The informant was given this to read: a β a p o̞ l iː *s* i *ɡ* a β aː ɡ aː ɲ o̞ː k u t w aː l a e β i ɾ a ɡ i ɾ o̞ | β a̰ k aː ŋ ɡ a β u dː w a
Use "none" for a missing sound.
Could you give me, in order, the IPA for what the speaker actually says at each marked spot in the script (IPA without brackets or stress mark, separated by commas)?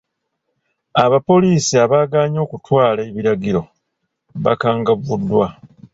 s, none